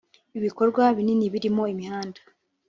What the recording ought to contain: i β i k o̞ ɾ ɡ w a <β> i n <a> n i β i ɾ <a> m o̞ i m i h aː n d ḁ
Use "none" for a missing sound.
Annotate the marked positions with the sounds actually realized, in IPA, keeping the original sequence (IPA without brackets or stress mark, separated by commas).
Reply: β, i, i